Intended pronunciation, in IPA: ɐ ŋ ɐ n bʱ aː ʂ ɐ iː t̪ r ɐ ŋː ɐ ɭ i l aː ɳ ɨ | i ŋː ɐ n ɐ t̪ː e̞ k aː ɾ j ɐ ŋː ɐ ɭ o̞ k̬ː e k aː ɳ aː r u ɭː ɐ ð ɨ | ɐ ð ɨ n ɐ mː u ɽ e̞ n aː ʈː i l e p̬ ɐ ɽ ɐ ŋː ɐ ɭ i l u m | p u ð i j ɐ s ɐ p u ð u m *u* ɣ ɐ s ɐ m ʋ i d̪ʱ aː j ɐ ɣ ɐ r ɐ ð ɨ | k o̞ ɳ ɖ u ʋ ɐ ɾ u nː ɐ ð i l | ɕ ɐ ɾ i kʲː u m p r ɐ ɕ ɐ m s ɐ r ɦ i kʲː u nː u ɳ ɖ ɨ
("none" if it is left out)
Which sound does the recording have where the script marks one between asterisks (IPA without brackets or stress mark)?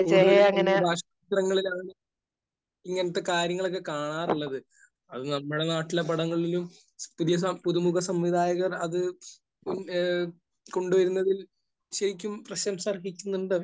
u